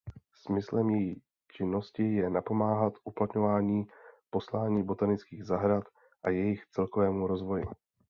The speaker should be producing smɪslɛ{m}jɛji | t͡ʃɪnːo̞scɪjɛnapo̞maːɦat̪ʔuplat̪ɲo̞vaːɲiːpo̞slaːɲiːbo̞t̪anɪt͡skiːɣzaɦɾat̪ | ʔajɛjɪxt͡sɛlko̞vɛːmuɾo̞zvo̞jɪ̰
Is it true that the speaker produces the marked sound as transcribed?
yes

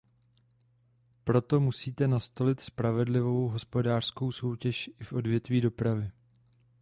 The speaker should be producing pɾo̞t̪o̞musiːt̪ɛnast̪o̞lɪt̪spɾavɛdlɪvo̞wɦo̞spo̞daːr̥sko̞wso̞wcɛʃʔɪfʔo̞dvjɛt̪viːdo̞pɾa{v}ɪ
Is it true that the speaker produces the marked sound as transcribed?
yes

